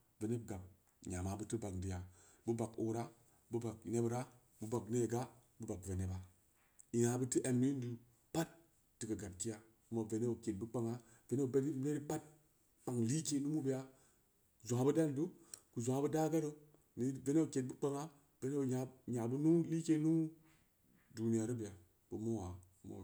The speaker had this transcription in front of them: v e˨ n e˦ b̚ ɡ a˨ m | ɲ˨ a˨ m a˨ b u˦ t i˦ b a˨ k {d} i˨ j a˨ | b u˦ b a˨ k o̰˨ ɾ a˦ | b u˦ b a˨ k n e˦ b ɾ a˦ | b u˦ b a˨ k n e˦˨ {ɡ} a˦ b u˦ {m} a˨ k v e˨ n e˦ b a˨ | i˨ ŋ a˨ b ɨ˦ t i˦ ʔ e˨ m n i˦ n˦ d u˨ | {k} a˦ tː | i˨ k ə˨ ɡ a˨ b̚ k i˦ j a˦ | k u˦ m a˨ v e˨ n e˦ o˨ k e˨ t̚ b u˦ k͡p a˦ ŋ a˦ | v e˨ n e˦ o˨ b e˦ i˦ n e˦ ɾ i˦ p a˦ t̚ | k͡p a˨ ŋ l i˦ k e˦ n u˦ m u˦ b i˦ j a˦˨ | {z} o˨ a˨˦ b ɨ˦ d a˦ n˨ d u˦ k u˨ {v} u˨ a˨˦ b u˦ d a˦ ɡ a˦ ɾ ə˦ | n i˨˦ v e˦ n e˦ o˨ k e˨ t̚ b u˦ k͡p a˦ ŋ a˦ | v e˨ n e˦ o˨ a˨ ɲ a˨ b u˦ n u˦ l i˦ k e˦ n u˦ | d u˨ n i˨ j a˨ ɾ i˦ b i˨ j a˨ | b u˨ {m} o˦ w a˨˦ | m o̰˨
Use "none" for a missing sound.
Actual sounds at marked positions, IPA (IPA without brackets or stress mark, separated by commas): d, ɡ, b, p, z, z, m